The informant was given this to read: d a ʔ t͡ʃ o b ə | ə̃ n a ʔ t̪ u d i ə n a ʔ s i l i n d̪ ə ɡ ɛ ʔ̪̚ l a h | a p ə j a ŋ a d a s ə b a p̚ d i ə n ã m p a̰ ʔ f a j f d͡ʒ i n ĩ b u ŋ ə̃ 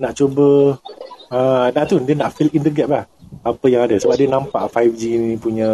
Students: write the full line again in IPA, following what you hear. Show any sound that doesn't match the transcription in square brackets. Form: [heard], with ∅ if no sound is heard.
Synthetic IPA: [n] a ʔ t͡ʃ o b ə | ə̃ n a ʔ t̪ u d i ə n a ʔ [f] i l i n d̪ ə ɡ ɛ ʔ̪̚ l a h | a p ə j a ŋ a d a s ə b a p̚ d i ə n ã m p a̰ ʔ f a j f d͡ʒ i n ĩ [p] u [ɲ] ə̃